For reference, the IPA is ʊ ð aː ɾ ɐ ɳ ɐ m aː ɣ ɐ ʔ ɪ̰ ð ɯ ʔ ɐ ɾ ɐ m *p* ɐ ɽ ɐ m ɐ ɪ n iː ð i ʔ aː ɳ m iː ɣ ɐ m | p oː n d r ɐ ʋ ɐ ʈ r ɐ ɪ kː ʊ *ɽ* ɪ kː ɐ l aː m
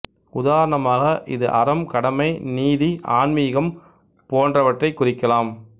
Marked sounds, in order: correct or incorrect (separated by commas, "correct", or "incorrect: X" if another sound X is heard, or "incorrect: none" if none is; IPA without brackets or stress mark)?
incorrect: k, incorrect: r